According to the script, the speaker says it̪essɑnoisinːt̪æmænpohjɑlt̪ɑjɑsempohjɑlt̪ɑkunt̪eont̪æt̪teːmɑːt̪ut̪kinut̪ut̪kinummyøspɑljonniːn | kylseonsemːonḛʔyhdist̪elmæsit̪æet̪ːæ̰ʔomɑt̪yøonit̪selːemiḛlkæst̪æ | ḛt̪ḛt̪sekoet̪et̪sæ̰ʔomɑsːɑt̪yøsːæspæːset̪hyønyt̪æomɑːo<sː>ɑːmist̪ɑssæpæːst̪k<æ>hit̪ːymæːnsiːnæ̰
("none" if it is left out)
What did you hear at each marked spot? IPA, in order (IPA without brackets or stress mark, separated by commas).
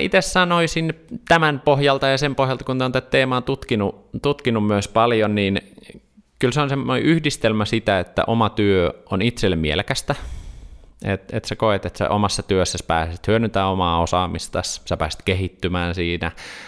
s, e